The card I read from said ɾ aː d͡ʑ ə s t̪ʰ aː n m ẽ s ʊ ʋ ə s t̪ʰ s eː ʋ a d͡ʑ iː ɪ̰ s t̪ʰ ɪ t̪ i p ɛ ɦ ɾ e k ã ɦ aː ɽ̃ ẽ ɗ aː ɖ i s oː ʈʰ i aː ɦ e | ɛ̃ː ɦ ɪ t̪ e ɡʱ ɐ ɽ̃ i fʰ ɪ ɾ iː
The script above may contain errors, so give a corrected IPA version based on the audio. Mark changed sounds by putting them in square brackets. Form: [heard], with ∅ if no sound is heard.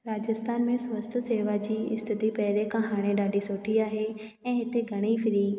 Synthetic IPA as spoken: ɾ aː d͡ʑ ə s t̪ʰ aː n m ẽ s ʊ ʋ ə s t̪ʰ s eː ʋ a d͡ʑ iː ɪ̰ s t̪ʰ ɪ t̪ i p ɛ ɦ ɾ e k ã ɦ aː ɽ̃ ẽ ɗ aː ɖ i s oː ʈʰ i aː ɦ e | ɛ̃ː ɦ ɪ t̪ e ɡʱ ɐ ɽ̃ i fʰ ɪ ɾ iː

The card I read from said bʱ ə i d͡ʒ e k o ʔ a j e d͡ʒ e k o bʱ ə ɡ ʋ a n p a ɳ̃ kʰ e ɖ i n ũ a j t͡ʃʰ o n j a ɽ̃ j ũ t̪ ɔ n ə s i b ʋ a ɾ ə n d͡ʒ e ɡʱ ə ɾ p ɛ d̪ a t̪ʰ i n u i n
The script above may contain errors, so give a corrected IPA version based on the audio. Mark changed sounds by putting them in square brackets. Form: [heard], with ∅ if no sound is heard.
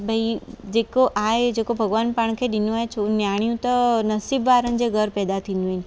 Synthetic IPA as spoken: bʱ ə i d͡ʒ e k o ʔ a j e d͡ʒ e k o bʱ ə ɡ ʋ a n p a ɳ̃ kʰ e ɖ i n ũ a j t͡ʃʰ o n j a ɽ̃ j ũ t̪ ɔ n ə s i b ʋ a ɾ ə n d͡ʒ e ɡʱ ə ɾ p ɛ d̪ a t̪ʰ i n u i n

